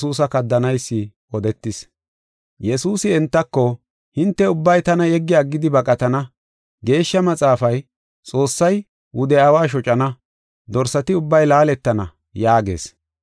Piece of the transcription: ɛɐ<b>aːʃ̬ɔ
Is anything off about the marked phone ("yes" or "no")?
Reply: yes